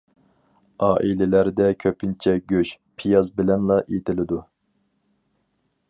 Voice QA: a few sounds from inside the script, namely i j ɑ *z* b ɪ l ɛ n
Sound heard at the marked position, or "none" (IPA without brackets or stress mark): z